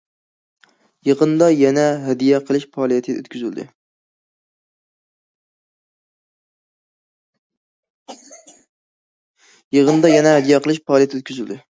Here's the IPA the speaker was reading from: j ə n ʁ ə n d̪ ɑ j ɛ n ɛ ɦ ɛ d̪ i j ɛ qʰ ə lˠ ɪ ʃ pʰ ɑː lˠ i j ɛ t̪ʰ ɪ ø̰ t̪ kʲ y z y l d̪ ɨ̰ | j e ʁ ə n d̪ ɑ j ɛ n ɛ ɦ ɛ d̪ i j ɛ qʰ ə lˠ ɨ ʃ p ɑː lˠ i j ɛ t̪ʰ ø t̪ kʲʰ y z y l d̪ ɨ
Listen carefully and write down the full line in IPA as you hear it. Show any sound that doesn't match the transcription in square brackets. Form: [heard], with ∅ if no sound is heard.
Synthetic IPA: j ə [∅] ʁ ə n d̪ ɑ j ɛ n ɛ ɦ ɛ d̪ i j ɛ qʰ ə lˠ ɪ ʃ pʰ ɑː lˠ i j ɛ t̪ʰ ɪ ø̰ t̪ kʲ y z y l d̪ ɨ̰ | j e ʁ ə n d̪ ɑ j ɛ n ɛ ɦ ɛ d̪ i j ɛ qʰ ə lˠ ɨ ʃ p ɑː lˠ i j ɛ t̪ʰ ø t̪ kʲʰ y z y l d̪ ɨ

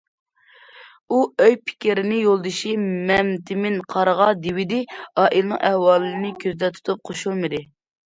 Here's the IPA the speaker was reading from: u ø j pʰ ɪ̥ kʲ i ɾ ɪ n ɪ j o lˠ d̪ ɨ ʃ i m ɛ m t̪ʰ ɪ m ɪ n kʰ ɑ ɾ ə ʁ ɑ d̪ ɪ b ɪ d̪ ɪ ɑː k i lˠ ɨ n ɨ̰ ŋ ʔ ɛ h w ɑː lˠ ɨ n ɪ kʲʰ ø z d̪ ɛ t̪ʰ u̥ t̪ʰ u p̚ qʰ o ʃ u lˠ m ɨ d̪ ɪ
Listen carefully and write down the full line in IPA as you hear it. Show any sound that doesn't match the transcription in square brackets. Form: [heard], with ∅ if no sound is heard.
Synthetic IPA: u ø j pʰ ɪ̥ kʲ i ɾ ɪ n ɪ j o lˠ d̪ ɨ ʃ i m ɛ m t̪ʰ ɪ m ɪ n [qʰ] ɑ ɾ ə ʁ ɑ d̪ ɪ [w] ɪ d̪ ɪ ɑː [ʔ] i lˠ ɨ n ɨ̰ ŋ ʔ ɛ h w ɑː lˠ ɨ n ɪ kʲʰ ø z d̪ ɛ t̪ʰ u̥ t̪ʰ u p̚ qʰ o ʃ u lˠ m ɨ d̪ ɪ

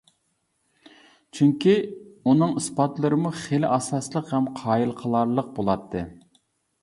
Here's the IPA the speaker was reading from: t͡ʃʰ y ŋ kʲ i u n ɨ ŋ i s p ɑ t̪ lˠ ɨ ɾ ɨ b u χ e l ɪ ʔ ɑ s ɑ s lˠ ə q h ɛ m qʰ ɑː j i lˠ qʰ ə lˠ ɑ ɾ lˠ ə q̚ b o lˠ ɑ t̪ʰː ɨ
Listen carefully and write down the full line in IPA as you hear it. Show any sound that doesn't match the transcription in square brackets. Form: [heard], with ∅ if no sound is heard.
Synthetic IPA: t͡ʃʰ y ŋ kʲ i u n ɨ ŋ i s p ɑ t̪ lˠ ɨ ɾ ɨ [m] u χ e l ɪ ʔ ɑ s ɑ s lˠ ə q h ɛ m qʰ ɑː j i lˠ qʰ ə lˠ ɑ ɾ lˠ ə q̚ b o lˠ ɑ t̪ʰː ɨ

